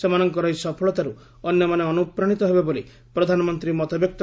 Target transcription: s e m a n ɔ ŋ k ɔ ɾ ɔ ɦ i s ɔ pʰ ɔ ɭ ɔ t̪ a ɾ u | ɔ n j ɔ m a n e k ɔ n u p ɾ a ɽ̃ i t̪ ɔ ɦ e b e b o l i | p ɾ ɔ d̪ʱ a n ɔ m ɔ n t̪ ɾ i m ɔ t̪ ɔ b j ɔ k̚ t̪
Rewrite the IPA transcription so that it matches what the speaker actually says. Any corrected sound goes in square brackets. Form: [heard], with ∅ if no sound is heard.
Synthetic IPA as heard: s e m a n ɔ ŋ k ɔ ɾ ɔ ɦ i s ɔ pʰ ɔ ɭ ɔ t̪ a ɾ u | ɔ n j ɔ m a n e [∅] ɔ n u p ɾ a ɽ̃ i t̪ ɔ ɦ e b e b o l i | p ɾ ɔ d̪ʱ a n ɔ m ɔ n t̪ ɾ i m ɔ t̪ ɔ b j ɔ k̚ t̪